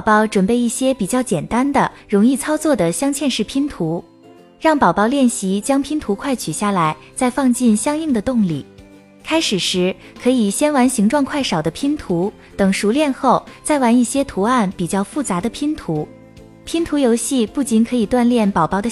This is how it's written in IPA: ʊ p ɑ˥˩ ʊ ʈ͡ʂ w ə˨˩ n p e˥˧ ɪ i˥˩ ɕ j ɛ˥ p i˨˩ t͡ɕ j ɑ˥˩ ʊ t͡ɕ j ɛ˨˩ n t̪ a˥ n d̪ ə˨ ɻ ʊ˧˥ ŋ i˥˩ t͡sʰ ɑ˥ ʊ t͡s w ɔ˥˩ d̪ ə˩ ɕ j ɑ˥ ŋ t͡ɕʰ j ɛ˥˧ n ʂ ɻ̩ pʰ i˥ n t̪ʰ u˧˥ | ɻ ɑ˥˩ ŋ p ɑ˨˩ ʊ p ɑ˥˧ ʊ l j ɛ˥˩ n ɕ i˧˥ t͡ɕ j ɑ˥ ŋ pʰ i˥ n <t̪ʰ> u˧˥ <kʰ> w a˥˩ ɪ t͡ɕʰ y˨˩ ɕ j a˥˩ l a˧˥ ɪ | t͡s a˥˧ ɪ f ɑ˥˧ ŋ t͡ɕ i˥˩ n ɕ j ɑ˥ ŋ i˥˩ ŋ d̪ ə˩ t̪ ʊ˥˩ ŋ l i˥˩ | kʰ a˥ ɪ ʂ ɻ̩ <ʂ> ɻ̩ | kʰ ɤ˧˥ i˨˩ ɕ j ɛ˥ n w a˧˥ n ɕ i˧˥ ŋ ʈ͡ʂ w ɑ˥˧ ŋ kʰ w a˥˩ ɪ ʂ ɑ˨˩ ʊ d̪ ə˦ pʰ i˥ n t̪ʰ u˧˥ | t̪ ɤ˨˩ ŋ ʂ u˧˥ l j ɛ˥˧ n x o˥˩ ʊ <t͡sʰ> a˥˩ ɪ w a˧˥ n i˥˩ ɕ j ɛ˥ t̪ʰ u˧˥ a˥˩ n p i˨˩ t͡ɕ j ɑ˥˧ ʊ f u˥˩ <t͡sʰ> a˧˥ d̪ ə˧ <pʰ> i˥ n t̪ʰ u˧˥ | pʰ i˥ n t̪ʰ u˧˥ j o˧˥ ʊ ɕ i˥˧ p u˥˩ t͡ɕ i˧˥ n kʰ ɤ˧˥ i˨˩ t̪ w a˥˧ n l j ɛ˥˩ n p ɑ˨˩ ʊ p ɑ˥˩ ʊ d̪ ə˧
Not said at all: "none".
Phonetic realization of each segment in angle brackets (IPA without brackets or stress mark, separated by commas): t̪ʰ, kʰ, ʂ, t͡s, t͡s, pʰ